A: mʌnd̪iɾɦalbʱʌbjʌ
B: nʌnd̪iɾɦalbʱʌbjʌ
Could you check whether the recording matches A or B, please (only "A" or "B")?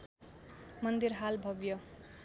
A